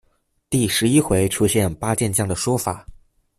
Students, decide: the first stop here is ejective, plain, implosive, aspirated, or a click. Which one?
plain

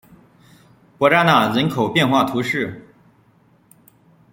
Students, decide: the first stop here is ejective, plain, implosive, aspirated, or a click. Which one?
plain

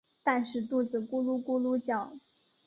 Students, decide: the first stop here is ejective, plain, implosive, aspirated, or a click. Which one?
plain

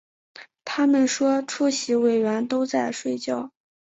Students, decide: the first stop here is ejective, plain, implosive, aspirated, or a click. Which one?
aspirated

